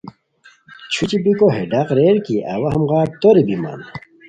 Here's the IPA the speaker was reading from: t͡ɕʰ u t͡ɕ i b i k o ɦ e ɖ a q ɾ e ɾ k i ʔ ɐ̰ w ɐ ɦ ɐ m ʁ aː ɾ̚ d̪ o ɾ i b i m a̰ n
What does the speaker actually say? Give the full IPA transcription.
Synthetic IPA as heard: t͡ɕʰ u t͡ɕ i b i k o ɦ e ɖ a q ɾ e ɾ k i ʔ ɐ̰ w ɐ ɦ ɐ m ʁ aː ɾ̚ t̪ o ɾ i b i m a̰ n